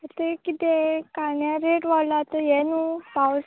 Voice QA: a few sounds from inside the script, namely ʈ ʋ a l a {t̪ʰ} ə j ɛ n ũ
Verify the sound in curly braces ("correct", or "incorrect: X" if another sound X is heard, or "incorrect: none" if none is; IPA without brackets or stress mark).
incorrect: t̪